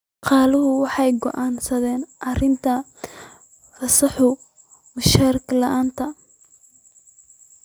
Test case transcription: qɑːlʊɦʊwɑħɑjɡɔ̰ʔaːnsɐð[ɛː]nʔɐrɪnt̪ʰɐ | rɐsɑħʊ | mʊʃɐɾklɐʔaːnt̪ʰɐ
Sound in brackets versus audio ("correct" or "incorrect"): correct